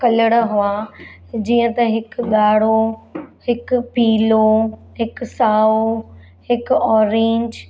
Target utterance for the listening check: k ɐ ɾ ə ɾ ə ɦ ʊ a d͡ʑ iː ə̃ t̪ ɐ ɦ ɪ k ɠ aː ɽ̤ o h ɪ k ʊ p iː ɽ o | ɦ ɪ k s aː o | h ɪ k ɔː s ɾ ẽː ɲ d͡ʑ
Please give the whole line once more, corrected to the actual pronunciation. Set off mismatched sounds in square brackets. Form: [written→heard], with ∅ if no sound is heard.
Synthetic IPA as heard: k ɐ [ɾ→l] ə [ɾ→ɽ] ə ɦ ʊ a d͡ʑ iː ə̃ t̪ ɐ ɦ ɪ k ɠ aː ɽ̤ o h ɪ k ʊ p iː [ɽ→l] o | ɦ ɪ k s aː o | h ɪ k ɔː [s→∅] ɾ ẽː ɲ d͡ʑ